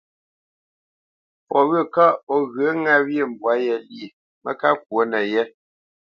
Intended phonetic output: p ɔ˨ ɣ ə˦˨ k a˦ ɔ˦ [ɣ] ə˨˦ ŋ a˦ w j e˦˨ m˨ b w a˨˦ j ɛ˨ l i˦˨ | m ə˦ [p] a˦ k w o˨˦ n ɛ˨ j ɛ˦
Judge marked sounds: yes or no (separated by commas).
yes, no